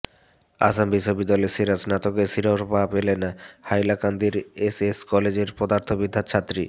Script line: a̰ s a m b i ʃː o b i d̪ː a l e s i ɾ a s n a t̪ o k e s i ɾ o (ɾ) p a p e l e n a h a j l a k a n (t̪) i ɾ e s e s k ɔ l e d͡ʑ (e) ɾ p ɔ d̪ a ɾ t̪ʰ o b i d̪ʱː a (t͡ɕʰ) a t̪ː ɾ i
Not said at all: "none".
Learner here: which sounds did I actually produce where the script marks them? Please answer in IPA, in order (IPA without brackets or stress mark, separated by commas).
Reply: ɾ, d̪, e, t͡ɕʰ